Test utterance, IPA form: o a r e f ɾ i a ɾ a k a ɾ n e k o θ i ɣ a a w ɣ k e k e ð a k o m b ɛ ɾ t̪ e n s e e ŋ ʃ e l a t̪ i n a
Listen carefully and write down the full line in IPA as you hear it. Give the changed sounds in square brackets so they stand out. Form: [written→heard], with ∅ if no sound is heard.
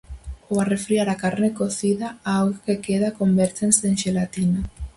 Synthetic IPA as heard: o a r e f ɾ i a ɾ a k a ɾ n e k o θ i [ɣ→ð] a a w ɣ k e k e ð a k o m b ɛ ɾ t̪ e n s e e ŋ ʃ e l a t̪ i n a